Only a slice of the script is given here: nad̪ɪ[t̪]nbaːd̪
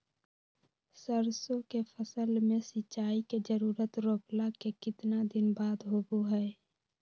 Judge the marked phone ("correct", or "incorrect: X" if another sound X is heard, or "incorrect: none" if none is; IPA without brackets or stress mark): incorrect: none